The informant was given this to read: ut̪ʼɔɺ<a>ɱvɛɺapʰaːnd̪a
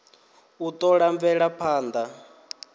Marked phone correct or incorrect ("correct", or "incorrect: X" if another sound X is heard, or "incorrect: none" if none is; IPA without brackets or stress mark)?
correct